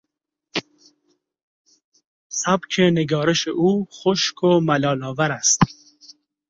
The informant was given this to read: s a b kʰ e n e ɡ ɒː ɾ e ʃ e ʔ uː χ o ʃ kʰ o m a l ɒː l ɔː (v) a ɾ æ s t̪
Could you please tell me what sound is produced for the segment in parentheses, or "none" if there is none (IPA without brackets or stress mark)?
v